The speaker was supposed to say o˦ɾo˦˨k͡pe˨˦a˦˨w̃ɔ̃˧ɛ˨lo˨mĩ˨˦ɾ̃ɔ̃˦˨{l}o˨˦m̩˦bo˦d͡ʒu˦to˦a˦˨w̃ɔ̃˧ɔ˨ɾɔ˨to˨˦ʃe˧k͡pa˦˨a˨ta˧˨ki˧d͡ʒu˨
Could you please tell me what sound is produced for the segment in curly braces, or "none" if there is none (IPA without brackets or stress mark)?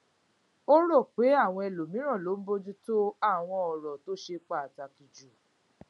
l